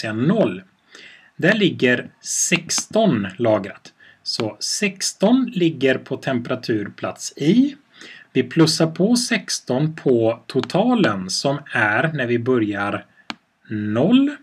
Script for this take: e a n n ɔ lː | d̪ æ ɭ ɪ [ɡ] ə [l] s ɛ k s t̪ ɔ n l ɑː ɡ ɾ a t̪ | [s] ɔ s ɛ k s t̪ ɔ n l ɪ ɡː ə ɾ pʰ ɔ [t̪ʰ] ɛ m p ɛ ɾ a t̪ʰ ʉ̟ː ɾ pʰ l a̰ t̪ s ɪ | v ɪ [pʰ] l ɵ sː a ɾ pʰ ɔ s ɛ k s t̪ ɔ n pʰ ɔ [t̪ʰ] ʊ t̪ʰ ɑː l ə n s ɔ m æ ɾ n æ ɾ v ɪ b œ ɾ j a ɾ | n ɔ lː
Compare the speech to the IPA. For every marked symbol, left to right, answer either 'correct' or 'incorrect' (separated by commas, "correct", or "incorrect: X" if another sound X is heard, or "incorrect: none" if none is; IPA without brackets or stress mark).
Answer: incorrect: ɡː, incorrect: ɾ, correct, correct, correct, correct